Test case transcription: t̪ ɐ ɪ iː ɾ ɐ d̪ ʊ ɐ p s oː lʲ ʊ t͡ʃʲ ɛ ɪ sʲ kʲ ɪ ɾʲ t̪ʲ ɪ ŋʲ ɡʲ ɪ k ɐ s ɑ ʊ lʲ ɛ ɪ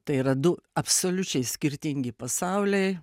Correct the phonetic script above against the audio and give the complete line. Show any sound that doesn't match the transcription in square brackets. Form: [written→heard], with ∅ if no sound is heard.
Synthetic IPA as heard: t̪ ɐ ɪ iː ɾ ɐ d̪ ʊ ɐ p s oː lʲ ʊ t͡ʃʲ ɛ ɪ sʲ kʲ ɪ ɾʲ t̪ʲ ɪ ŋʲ ɡʲ ɪ [k→p] ɐ s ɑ ʊ lʲ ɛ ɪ